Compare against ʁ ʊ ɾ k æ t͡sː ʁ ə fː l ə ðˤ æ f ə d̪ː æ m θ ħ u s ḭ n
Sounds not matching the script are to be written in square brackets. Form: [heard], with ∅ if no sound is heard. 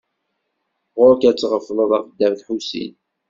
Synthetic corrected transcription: ʁ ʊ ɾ k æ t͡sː ʁ ə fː l ə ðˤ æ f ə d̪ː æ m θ ħ u s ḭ n